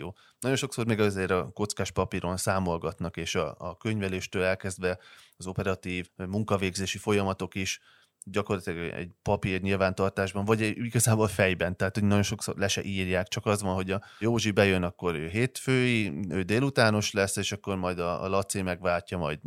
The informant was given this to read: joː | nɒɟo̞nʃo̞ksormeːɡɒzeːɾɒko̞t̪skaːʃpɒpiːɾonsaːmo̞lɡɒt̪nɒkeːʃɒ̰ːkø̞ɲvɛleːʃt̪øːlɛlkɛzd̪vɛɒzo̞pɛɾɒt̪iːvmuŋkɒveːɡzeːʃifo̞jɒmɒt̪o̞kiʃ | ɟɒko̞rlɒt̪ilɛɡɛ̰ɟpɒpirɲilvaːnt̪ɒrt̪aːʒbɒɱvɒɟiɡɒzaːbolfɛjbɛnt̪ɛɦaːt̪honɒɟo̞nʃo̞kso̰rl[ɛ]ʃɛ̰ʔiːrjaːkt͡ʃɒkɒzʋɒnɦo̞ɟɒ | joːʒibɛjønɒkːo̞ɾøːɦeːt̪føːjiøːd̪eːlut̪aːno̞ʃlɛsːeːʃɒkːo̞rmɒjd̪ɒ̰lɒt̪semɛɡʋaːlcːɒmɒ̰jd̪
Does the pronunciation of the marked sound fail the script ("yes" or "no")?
no